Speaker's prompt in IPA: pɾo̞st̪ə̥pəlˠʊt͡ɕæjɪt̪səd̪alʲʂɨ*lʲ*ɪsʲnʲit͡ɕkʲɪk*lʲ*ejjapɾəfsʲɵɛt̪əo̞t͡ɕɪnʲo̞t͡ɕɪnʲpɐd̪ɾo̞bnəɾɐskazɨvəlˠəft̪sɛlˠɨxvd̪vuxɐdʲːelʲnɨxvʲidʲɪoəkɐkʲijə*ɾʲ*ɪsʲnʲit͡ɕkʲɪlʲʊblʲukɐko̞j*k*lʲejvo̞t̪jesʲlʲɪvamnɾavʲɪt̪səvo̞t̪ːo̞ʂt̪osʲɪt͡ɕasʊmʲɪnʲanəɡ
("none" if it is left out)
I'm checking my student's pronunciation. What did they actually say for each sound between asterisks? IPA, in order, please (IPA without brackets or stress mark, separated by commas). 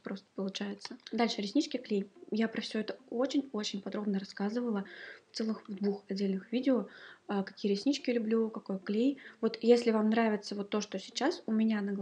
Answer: ɾʲ, lʲ, ɾʲ, k